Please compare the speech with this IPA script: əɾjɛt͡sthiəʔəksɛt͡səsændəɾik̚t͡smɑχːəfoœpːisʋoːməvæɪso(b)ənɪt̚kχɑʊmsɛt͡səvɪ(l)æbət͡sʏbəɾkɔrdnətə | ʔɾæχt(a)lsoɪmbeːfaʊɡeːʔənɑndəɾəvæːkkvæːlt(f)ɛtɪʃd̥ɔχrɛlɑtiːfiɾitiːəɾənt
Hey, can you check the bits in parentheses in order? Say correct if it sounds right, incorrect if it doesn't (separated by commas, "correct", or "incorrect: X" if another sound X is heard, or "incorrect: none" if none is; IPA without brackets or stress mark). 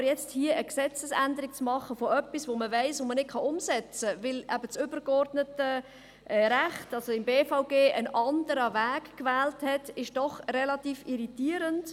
incorrect: m, correct, incorrect: ɑ, incorrect: h